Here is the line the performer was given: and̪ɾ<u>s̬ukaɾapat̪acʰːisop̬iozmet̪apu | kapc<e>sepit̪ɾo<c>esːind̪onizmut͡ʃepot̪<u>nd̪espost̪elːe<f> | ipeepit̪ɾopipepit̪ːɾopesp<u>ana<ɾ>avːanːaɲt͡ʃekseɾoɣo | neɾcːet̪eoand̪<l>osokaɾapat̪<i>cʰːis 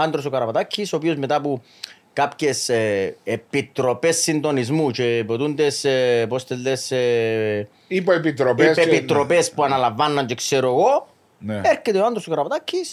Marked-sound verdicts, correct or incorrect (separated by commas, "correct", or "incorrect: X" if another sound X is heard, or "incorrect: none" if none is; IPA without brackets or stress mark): incorrect: o, correct, incorrect: p, correct, incorrect: s, correct, incorrect: l, incorrect: ɾ, incorrect: a